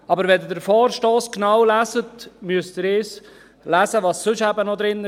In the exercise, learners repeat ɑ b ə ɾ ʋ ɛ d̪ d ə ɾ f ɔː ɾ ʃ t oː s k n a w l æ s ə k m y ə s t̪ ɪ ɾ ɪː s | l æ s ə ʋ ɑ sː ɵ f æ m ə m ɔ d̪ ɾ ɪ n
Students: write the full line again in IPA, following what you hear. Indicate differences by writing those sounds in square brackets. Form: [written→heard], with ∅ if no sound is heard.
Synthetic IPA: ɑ b ə ɾ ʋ ɛ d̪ d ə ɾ f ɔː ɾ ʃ t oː s k n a w l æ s ə [k→t] m y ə s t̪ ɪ ɾ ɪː s | l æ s ə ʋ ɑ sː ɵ [f→ʃ] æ [m→b] ə [m→n] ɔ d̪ ɾ ɪ n

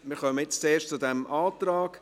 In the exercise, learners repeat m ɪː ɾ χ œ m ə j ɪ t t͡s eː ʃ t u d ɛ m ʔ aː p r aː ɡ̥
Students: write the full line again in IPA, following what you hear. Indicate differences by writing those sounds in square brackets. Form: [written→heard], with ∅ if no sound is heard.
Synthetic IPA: m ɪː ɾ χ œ m ə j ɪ [t→t͡s] t͡s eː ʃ [t→t͡s] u d ɛ m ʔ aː [p→t] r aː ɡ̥

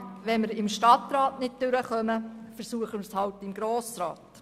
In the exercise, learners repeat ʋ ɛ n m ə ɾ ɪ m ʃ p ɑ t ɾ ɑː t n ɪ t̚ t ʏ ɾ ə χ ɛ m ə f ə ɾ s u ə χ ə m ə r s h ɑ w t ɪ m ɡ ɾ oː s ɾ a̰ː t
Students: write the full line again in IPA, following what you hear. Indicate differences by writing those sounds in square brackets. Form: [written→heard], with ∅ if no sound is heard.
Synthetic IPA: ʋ ɛ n m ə ɾ ɪ m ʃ [p→t] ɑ t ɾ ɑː t n ɪ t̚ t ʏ ɾ ə χ [ɛ→œ] m ə f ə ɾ s u ə χ ə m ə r s h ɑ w t ɪ m ɡ ɾ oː s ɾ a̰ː t

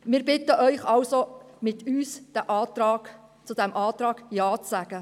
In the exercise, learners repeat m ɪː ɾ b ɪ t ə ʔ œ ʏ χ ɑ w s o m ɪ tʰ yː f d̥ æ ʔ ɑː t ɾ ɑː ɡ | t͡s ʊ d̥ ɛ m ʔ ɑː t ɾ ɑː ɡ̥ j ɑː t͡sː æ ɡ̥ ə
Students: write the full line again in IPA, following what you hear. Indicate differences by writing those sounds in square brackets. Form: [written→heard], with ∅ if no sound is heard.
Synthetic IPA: m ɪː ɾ b ɪ t ə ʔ œ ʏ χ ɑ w s o m ɪ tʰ yː [f→s] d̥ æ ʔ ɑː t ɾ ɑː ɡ | t͡s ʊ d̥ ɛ m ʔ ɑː t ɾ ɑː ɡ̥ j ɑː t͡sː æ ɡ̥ ə

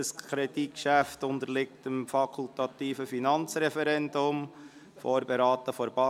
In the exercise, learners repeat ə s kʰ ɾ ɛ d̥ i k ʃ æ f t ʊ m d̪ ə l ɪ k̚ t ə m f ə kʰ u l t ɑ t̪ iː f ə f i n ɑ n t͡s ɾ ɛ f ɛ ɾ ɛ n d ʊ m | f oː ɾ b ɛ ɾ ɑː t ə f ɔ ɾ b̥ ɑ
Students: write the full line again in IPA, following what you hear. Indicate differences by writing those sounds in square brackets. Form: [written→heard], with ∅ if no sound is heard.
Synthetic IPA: ə s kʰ ɾ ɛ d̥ i k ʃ æ f t ʊ [m→n] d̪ ə l ɪ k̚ t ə m f [ə→ɑ] kʰ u l t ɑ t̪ iː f ə f i n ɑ n t͡s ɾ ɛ f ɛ ɾ ɛ n d ʊ m | f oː ɾ b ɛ ɾ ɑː t ə f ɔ ɾ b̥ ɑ

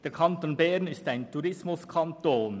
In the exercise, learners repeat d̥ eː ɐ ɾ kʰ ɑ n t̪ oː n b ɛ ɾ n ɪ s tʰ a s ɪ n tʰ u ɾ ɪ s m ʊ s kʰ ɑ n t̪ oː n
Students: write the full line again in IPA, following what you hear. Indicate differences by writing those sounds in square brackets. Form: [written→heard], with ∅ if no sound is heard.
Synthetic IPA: d̥ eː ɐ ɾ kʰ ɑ n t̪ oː n b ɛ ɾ n ɪ s [tʰ→t] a [s→∅] ɪ n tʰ u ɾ ɪ s m ʊ s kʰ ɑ n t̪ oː n

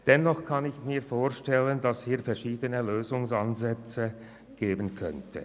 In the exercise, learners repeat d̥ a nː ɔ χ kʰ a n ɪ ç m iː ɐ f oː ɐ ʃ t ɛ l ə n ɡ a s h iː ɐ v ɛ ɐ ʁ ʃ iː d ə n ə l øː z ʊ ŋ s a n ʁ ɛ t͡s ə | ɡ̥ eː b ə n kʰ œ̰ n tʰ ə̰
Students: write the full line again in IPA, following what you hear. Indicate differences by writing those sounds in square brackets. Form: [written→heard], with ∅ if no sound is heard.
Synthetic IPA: d̥ [a→ɛ] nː ɔ χ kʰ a n ɪ ç m iː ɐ f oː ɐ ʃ t ɛ l ə n [ɡ→d] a s h iː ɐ [v→f] ɛ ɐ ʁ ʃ iː d ə n ə l øː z ʊ ŋ s a n [ʁ→z] ɛ t͡s ə | ɡ̥ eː b ə n kʰ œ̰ n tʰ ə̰

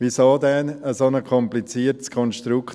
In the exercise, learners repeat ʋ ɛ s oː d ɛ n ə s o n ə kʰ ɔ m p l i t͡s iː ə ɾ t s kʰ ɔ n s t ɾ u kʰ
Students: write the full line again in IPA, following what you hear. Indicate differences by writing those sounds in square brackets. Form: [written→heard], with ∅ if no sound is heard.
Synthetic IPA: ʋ [ɛ→i] s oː d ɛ n ə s o n ə kʰ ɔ m p l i t͡s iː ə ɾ t s kʰ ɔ n [s→ʃ] t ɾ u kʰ

